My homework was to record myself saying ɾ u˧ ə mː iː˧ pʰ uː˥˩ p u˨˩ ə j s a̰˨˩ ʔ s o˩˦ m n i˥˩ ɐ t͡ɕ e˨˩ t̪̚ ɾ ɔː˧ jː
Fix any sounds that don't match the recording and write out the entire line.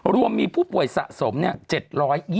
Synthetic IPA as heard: ɾ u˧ ə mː iː˧ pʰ uː˥˩ p u˨˩ ə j s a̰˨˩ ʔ s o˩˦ m n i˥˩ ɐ t͡ɕ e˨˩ t̪̚ ɾ ɔː˦˥ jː